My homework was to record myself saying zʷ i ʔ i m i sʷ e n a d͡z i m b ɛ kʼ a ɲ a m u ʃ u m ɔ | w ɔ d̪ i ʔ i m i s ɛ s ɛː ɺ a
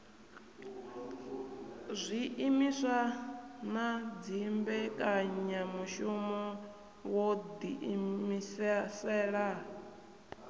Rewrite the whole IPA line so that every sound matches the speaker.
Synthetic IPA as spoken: zʷ i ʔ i m i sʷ a n a d͡z i m b ɛ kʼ a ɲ a m u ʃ u m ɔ | w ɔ d̪ i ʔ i m i s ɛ s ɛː ɺ a